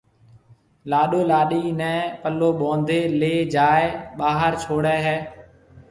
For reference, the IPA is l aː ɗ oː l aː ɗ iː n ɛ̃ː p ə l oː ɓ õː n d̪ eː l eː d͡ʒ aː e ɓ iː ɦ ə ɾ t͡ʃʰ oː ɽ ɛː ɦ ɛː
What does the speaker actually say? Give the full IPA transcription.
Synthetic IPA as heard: l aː ɗ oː l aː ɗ iː n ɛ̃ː p ə l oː ɓ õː n d̪ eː l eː d͡ʒ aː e ɓ aː ɦ ə ɾ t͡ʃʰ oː ɽ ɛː ɦ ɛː